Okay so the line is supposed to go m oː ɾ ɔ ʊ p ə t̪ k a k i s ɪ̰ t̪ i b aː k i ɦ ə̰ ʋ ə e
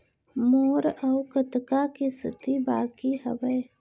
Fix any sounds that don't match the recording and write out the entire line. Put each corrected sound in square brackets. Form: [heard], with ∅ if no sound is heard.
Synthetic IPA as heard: m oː ɾ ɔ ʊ [k] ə t̪ k a k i s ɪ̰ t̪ i b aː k i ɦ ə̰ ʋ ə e